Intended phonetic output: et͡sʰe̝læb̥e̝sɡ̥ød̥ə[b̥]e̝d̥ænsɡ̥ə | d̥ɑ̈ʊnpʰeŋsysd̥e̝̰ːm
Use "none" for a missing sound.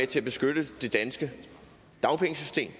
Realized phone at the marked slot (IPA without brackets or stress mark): d̥